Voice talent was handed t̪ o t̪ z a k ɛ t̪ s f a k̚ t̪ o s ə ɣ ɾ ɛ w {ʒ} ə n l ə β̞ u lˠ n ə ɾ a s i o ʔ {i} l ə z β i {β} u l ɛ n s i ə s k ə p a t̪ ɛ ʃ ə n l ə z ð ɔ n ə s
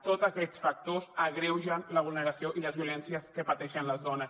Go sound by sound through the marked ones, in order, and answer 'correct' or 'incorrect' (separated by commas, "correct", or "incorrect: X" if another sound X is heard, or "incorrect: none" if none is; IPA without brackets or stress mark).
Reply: correct, correct, incorrect: none